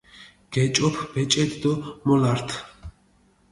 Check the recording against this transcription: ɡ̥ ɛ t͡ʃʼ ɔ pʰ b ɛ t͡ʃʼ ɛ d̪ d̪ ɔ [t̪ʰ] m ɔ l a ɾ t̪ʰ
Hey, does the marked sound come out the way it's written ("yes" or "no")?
no